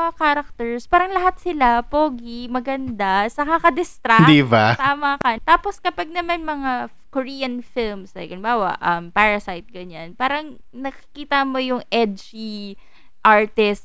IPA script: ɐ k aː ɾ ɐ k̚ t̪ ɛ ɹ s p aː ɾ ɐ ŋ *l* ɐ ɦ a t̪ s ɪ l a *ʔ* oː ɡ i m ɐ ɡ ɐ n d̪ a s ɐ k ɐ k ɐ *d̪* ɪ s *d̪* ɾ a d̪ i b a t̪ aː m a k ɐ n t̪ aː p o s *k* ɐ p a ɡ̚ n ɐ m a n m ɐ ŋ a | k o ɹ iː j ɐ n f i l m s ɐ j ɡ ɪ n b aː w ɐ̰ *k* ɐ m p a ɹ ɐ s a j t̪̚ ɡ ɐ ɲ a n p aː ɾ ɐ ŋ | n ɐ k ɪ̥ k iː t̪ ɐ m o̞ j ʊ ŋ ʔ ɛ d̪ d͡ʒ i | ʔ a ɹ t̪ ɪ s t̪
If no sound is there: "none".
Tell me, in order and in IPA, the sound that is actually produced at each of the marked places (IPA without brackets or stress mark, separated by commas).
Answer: l, p, d̪, t̪, k, ʔ